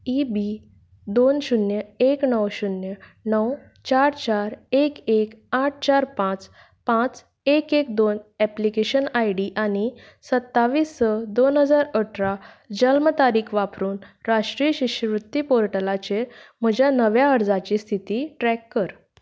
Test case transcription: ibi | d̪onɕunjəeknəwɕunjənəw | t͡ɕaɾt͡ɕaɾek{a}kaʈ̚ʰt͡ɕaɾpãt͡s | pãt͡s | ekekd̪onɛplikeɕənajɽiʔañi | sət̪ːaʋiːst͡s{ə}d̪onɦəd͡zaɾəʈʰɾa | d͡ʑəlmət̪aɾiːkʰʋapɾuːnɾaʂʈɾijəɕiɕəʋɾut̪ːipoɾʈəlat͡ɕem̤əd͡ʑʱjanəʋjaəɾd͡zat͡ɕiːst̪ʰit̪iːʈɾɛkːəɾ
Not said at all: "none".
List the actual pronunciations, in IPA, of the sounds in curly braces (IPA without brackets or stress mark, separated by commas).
e, ə